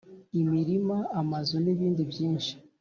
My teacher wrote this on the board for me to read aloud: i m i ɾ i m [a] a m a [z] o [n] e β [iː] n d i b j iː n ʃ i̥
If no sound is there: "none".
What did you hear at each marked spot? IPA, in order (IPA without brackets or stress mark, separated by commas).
a, z, n, iː